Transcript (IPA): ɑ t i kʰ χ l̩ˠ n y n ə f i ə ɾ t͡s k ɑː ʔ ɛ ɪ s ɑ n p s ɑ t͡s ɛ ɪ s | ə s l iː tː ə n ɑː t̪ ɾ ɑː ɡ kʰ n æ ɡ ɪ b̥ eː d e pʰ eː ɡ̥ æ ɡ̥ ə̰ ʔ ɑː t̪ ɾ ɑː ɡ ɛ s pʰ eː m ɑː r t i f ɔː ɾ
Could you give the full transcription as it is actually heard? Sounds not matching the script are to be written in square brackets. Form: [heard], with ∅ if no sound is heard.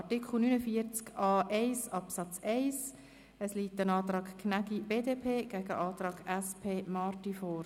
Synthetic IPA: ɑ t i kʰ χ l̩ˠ n y n ə f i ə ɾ t͡s k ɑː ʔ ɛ ɪ s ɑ [∅] p s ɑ t͡s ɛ ɪ s | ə s l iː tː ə n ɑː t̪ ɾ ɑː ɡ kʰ n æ ɡ [i] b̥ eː d e pʰ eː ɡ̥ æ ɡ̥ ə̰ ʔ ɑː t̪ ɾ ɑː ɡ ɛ s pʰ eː m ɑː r t i f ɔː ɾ